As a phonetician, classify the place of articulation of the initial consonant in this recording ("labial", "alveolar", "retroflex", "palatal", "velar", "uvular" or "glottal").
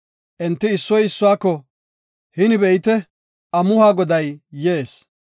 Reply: glottal